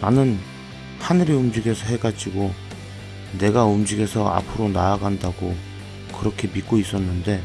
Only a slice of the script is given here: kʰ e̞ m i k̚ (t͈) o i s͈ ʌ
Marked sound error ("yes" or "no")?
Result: yes